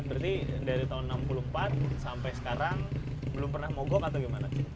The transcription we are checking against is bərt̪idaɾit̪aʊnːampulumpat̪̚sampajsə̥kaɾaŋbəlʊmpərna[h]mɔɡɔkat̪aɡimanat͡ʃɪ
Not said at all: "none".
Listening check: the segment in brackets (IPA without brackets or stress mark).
h